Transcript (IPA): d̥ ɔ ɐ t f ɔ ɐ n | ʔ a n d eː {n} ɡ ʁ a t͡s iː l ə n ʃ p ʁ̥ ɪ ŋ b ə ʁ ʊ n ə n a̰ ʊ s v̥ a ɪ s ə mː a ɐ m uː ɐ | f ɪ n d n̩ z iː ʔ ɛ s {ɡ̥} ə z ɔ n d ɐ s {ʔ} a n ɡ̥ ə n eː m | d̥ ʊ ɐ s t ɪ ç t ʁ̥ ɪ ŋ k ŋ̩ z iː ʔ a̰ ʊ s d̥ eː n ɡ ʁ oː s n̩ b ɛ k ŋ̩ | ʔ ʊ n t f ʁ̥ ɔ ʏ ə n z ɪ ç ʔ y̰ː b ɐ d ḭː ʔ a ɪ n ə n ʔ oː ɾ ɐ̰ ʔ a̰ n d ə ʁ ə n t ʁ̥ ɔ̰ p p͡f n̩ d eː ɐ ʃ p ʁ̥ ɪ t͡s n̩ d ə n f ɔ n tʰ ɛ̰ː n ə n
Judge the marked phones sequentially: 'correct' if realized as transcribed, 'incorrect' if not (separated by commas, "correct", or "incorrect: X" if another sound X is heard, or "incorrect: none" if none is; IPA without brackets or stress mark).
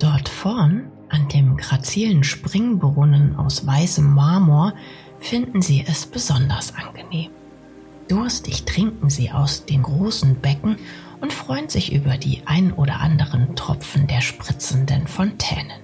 incorrect: m, incorrect: b̥, correct